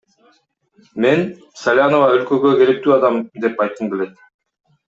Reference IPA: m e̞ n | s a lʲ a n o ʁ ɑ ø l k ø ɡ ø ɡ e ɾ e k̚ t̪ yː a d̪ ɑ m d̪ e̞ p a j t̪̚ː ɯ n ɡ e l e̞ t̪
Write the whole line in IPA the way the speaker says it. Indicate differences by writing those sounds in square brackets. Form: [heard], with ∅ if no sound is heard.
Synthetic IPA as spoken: m e̞ n | s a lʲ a n o [v] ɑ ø l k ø ɡ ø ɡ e ɾ e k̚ t̪ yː [ɑ] d̪ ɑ m d̪ e̞ p [ɑ] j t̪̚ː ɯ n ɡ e l e̞ t̪

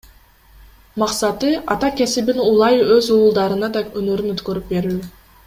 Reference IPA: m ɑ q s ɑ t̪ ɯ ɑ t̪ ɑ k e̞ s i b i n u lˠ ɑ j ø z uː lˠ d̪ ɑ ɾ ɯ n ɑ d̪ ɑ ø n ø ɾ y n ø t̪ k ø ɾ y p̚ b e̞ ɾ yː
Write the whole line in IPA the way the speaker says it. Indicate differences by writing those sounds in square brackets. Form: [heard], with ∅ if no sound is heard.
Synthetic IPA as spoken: m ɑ q s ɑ t̪ ɯ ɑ t̪ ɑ k e̞ s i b i n u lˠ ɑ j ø z uː lˠ d̪ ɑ ɾ ɯ n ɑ d̪ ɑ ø n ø ɾ y n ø t̪ k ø ɾ y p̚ b e̞ ɾ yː

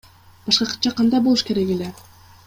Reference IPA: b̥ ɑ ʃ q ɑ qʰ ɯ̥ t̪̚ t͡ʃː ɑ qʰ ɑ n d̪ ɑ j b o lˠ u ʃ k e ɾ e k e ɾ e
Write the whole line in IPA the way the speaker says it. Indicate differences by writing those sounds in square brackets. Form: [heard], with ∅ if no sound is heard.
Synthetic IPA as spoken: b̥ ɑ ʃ q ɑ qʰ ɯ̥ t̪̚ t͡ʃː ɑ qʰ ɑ n d̪ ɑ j b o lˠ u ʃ k e ɾ e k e [l] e

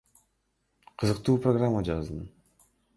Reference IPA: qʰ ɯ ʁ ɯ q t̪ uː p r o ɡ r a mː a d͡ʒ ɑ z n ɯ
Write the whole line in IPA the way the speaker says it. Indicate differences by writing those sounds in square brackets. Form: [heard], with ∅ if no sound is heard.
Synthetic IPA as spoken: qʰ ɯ [z] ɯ q t̪ uː p r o ɡ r a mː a d͡ʒ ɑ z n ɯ

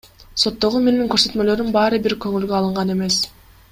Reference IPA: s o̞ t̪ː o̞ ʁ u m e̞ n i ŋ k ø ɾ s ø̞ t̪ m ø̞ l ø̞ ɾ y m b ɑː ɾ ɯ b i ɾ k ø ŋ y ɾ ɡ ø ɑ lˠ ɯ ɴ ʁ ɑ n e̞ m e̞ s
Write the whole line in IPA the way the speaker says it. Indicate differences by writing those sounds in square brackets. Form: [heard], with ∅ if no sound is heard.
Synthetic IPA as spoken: s o̞ t̪ː o̞ ʁ u m e̞ n i ŋ k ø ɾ s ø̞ t̪ m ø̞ l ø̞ ɾ y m b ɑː ɾ ɯ b i ɾ k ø ŋ y [l] ɡ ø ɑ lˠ ɯ ɴ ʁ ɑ n e̞ m e̞ s

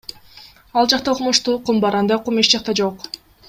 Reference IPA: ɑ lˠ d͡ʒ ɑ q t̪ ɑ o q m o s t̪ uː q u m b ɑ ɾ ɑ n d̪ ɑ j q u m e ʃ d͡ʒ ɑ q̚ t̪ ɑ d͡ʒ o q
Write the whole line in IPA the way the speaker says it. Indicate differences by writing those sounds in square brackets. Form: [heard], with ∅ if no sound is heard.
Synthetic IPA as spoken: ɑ lˠ d͡ʒ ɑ q t̪ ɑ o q m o [ʃ] t̪ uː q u m b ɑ ɾ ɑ n d̪ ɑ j q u m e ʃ d͡ʒ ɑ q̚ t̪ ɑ d͡ʒ o q

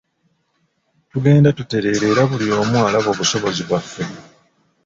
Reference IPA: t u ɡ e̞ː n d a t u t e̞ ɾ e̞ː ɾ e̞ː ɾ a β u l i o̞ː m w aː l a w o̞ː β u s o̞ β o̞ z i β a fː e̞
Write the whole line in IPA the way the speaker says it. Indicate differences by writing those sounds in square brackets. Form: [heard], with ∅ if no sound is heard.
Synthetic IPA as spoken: t u ɡ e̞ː n d a t u t e̞ ɾ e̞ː ɾ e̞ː ɾ a β u l i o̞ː m w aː l a [β] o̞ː β u s o̞ β o̞ z i β a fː e̞

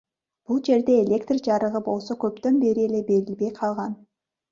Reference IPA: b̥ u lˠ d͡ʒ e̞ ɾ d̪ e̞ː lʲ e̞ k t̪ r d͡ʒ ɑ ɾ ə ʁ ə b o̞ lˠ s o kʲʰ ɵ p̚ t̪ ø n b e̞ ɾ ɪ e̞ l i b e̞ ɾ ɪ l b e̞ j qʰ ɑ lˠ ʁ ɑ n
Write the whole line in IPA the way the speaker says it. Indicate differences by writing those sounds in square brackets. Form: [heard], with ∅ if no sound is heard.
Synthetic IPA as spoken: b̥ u lˠ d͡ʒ e̞ ɾ d̪ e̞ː lʲ e̞ k t̪ r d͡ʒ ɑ ɾ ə ʁ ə b o̞ lˠ s o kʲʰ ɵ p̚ t̪ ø n b e̞ ɾ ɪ e̞ l [e] b e̞ ɾ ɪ l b e̞ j qʰ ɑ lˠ ʁ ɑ n

